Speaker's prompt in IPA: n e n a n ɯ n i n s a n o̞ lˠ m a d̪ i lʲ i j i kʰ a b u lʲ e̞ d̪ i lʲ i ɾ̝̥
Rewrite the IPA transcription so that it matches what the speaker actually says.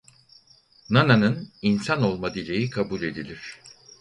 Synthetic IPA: n a n a n ɯ n i n s a n o̞ lˠ m a d̪ i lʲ e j i kʰ a b u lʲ e̞ d̪ i lʲ i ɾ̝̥